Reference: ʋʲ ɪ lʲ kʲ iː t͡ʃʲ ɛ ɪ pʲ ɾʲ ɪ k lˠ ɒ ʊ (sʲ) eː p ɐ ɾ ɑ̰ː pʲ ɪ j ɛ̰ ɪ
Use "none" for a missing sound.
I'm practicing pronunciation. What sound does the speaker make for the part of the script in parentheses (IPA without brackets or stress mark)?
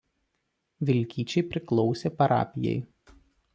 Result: sʲ